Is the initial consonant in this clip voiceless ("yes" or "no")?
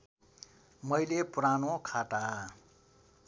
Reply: no